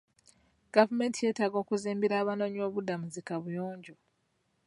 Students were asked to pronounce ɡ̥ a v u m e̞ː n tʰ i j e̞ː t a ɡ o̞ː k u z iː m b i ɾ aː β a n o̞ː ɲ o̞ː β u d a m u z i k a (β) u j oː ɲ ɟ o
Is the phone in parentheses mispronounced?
no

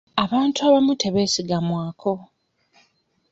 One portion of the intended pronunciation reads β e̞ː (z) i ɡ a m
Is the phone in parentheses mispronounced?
yes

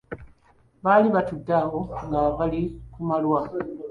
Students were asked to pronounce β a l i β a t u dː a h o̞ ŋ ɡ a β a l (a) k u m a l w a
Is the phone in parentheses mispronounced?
yes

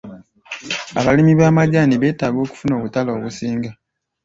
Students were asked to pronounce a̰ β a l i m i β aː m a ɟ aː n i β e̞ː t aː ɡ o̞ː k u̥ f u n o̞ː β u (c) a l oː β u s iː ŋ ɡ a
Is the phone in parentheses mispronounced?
yes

